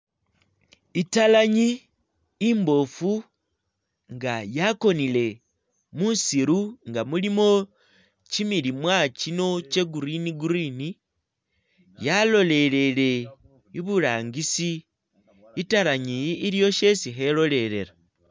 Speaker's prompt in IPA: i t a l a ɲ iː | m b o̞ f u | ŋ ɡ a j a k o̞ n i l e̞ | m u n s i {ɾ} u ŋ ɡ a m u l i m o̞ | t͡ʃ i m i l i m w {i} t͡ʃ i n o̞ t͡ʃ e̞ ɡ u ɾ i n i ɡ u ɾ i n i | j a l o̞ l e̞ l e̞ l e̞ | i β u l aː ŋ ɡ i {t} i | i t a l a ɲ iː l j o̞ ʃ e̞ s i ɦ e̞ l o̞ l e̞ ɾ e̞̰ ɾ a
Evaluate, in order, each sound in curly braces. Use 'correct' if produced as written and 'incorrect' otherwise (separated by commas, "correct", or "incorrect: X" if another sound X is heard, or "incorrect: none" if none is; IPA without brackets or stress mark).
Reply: correct, incorrect: a, incorrect: s